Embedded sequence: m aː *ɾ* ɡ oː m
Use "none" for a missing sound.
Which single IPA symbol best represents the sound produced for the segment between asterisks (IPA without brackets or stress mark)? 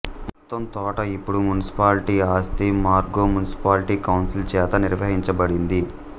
ɾ